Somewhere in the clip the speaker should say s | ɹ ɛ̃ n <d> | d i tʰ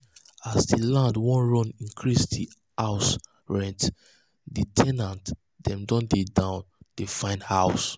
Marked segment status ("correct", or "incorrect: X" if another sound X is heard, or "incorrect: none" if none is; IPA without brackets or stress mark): incorrect: t